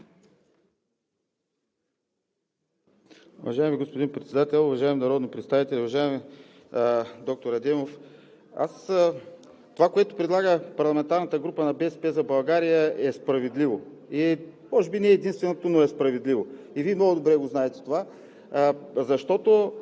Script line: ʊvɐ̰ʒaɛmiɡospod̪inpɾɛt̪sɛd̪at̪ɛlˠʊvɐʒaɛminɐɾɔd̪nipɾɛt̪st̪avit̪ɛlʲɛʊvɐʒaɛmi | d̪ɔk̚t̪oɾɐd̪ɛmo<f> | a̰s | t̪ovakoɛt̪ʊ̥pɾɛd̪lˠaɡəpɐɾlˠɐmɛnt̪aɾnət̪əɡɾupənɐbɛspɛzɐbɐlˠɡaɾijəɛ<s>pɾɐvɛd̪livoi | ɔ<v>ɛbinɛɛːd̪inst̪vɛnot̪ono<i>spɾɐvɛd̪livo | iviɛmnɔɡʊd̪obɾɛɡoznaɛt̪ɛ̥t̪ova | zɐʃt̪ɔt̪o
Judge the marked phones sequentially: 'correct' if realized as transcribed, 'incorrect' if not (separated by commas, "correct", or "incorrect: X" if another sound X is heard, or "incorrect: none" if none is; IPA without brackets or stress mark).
correct, correct, incorrect: ʒ, incorrect: ɛ